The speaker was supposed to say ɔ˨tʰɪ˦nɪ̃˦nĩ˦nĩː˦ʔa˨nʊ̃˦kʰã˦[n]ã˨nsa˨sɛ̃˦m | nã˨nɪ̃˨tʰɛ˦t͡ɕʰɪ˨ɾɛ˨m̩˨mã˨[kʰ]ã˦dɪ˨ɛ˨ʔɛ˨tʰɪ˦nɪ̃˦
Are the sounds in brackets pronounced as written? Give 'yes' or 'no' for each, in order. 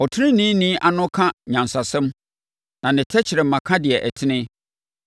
no, yes

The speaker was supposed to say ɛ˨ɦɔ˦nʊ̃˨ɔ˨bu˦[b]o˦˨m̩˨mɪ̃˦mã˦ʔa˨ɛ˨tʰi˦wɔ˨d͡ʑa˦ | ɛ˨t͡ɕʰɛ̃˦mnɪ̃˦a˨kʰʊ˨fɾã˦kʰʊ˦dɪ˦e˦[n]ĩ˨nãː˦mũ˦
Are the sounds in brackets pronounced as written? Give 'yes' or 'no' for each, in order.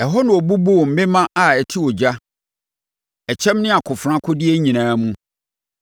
yes, no

